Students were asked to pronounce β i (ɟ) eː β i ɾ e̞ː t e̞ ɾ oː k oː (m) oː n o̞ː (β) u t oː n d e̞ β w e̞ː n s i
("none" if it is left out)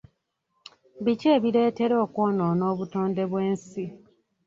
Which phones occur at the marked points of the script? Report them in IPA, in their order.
c, n, β

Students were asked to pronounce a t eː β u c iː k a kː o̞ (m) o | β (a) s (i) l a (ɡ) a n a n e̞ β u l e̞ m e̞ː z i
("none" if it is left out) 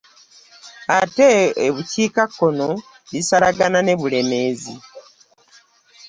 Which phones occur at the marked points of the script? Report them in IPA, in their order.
n, i, a, ɡ

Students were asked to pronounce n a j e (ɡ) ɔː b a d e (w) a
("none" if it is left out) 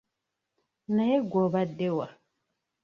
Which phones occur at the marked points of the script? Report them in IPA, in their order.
ɡ, w

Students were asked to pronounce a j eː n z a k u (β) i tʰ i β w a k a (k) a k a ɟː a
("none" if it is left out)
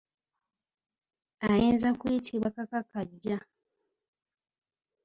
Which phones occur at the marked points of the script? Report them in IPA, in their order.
none, k

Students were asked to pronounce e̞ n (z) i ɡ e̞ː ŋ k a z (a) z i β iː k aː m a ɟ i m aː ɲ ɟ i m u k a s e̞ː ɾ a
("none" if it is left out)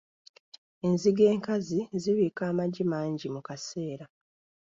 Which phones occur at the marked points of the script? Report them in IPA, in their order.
z, i

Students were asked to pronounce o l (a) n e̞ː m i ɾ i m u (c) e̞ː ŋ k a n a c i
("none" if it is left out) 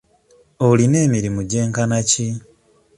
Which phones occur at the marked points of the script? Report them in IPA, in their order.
i, ɟ

